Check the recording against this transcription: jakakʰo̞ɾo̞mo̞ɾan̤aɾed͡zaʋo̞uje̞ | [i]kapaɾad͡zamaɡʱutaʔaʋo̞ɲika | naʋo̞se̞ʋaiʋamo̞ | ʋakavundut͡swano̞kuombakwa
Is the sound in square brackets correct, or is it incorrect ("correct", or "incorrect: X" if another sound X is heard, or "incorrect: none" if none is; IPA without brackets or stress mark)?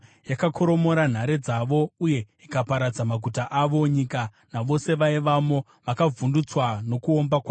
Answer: correct